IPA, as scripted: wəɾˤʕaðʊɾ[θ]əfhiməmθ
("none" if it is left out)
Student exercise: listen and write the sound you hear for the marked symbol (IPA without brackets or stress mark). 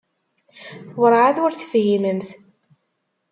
θ